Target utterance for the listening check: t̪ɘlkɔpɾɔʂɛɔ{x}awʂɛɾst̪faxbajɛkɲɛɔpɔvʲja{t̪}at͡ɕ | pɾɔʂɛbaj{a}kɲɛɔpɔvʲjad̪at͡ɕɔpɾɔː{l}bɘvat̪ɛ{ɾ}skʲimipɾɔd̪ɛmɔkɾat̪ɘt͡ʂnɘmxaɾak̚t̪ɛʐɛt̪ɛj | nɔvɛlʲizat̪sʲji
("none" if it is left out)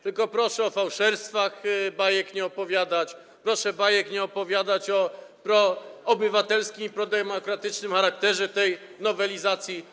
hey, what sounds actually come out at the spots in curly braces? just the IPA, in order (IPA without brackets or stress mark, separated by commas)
f, d̪, ɛ, none, l